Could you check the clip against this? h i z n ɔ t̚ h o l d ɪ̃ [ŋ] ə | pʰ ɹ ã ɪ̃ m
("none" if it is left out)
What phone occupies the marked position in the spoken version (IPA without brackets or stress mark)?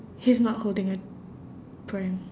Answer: ŋ